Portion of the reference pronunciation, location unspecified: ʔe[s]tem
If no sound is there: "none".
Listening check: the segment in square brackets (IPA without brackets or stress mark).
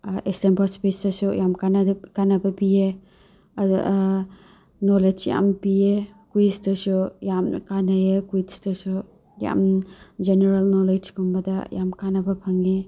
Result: s